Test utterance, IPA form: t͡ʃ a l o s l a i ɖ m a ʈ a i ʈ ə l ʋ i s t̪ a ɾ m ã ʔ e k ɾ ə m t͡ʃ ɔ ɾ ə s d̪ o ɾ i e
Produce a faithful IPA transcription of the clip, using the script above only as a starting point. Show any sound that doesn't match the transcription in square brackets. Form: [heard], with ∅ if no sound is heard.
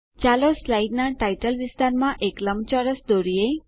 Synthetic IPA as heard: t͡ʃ a l o s l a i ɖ [n] a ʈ a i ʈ ə l ʋ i s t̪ a ɾ m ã ʔ e k [l] ə m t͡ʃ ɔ ɾ ə s d̪ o ɾ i e